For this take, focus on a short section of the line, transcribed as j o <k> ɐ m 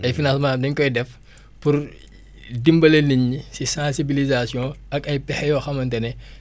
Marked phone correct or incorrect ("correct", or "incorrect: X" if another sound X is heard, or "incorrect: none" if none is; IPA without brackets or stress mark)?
incorrect: x